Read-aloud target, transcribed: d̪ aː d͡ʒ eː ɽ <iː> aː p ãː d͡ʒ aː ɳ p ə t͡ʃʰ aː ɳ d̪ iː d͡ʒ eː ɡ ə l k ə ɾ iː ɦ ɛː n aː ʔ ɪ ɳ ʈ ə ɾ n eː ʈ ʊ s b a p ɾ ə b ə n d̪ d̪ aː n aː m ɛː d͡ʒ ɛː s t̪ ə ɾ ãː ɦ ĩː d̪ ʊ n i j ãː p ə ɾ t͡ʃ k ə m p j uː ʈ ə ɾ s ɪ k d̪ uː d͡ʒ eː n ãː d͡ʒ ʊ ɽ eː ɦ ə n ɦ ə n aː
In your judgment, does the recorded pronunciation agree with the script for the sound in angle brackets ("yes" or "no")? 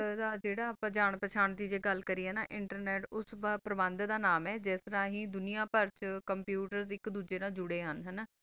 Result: no